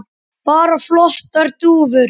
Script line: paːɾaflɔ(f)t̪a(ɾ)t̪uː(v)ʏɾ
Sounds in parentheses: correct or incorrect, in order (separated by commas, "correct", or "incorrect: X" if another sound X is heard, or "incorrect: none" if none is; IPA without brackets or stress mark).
incorrect: h, correct, correct